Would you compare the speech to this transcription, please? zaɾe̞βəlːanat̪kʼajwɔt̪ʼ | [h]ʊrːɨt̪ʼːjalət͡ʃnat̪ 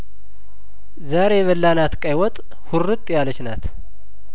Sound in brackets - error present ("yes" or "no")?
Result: no